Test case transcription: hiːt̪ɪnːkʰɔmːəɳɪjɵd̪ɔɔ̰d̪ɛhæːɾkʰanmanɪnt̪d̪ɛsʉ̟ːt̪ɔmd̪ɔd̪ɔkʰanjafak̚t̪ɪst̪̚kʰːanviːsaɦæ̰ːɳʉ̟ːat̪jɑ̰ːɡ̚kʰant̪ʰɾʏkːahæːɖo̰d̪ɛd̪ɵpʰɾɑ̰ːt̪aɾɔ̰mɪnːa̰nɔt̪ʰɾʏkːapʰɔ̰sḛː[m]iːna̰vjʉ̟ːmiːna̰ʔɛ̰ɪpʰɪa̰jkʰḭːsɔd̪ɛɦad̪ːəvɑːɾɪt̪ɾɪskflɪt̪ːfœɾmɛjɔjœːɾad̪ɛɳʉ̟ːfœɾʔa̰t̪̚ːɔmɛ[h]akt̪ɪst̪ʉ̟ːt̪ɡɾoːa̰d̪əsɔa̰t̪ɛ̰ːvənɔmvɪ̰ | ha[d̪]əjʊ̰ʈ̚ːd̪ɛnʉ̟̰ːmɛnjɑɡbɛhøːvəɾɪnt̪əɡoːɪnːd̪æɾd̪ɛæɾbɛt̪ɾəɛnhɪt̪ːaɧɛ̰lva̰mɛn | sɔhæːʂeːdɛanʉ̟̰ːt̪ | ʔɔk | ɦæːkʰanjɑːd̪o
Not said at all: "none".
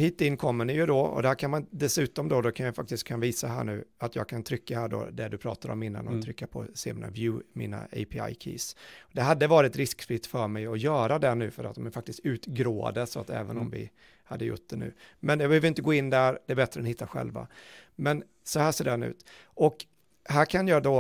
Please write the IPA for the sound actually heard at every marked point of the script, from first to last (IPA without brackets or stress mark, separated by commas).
m, f, d̪ː